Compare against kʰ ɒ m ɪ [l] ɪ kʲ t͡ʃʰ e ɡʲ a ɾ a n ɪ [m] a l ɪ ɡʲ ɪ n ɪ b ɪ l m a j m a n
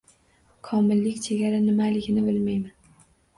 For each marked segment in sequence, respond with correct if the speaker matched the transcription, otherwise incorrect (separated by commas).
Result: incorrect, correct